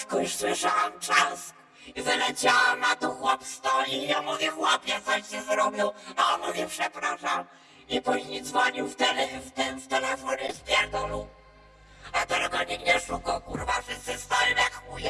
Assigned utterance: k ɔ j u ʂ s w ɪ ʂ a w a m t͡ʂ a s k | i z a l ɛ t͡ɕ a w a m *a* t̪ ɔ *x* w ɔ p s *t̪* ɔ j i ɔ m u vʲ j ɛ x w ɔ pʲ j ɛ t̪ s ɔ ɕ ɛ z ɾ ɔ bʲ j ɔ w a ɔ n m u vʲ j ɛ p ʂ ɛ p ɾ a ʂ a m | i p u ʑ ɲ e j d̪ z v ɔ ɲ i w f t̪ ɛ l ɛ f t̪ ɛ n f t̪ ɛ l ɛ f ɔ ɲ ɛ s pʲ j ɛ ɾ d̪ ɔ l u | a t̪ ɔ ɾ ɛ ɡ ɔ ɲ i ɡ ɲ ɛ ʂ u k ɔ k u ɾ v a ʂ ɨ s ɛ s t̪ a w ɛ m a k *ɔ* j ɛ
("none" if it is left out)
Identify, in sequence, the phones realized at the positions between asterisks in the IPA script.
a, x, t̪, u

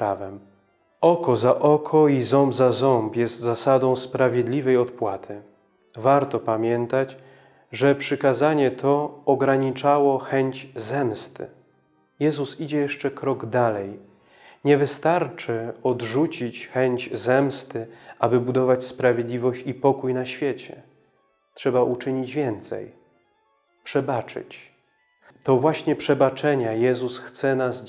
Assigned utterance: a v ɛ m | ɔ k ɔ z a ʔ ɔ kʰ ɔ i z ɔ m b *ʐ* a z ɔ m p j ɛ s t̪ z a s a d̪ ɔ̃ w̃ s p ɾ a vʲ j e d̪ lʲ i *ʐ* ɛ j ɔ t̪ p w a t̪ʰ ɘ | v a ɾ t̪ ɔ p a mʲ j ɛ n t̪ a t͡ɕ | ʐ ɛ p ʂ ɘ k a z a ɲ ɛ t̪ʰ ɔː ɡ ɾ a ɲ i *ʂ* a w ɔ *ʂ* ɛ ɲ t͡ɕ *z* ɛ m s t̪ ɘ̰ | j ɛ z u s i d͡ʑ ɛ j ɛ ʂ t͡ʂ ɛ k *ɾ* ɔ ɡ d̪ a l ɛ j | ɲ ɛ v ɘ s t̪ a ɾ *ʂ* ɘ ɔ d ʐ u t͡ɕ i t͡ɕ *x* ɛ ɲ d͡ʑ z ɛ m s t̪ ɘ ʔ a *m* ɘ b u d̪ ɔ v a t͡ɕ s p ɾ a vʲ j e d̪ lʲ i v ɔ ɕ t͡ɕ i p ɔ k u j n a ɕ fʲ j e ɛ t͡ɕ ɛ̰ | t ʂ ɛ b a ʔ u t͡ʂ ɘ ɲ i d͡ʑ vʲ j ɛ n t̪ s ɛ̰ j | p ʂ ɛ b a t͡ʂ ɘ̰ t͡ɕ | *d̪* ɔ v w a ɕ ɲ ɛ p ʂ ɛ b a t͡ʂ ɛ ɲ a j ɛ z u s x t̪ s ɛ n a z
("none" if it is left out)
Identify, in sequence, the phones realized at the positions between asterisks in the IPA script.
z, v, t͡ʂ, x, z, ɾ, t͡ʂ, x, b, t̪

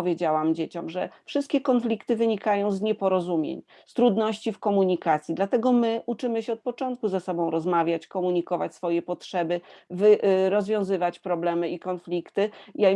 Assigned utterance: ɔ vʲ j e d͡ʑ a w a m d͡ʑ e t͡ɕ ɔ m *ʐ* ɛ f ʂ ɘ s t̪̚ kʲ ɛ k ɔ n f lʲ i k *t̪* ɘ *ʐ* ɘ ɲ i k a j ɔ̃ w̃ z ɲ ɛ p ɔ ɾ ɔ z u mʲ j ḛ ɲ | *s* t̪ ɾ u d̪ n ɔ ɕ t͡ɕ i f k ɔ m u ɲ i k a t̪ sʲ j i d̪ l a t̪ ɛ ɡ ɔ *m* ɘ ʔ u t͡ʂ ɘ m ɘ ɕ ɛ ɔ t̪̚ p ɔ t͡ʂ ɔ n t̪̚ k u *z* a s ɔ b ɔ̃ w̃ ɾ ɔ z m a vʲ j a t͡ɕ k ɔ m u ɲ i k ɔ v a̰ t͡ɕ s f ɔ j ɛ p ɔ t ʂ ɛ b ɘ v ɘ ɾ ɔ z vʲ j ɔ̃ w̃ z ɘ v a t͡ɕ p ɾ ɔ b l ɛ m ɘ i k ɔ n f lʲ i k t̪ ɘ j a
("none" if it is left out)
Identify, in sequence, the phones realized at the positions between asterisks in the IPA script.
ʐ, t̪, v, s, m, z

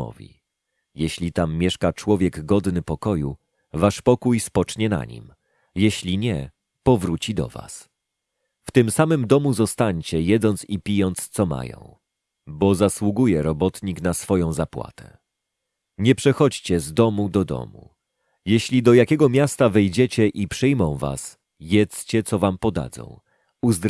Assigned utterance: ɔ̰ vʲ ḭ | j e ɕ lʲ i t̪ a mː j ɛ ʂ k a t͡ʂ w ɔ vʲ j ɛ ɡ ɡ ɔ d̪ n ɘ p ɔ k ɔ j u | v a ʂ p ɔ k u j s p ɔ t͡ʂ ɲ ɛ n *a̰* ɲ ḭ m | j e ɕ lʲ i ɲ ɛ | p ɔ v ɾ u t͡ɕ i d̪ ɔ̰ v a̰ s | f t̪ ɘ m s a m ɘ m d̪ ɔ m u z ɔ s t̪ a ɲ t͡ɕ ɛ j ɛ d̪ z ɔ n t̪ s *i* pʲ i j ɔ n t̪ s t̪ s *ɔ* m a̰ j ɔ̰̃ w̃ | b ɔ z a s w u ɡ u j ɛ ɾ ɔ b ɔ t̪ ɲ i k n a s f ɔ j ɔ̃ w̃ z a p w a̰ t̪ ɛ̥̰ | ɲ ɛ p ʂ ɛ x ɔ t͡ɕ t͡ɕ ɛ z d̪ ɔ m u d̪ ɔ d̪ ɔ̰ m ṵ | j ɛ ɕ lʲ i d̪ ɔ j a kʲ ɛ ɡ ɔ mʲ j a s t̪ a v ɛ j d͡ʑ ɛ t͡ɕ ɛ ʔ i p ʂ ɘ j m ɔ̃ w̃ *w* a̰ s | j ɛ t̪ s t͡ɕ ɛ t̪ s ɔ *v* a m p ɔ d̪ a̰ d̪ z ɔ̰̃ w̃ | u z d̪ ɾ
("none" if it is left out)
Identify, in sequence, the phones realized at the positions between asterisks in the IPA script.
a̰, i, ɔ, v, v

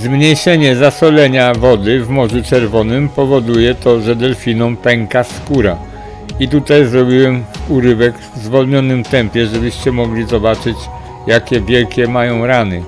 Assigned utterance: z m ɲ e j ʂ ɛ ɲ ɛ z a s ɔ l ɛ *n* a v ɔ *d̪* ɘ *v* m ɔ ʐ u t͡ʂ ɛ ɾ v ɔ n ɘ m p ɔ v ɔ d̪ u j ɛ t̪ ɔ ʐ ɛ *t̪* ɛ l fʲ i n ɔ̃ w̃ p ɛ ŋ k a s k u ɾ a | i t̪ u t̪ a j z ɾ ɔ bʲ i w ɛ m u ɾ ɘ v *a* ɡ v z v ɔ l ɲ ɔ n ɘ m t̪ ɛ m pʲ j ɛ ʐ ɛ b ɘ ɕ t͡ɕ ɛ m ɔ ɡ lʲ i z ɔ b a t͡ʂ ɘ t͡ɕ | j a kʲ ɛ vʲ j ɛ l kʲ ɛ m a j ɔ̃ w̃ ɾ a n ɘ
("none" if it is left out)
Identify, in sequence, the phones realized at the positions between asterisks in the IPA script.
ɲ, d̪, v, d̪, ɛ

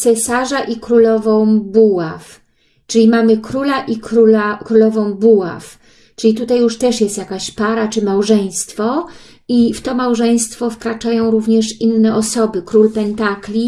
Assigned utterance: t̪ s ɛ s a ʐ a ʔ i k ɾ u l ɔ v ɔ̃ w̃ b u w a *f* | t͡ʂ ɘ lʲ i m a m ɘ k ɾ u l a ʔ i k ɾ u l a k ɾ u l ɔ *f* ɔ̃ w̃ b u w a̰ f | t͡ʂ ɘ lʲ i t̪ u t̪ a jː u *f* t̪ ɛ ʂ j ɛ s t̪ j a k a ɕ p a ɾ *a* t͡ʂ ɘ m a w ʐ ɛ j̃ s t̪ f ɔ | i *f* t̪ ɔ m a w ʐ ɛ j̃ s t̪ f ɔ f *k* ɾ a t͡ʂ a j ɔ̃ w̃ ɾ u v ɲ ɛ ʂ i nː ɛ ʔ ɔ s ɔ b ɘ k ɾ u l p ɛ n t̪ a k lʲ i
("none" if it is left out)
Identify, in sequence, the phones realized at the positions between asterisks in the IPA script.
f, v, ʂ, a, f, k

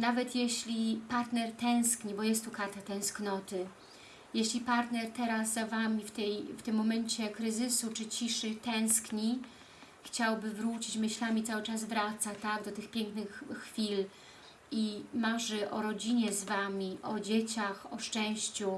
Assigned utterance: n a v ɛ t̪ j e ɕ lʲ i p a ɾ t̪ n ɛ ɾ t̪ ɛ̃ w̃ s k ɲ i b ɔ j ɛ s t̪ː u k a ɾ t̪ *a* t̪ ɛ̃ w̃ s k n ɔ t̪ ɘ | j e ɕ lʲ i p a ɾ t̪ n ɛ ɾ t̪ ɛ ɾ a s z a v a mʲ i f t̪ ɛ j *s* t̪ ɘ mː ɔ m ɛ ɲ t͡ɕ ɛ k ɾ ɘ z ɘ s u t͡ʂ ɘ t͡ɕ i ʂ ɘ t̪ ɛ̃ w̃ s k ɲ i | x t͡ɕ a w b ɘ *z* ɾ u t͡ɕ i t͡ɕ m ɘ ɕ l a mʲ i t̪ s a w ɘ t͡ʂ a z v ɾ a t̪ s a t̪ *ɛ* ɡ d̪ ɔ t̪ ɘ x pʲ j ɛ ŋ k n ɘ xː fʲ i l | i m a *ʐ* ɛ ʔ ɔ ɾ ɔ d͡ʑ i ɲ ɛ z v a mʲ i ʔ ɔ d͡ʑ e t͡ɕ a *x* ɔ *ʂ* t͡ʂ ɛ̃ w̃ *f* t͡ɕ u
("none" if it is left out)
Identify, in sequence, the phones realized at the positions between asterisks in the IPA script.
a, f, v, a, ʐ, x, ʂ, ɕ

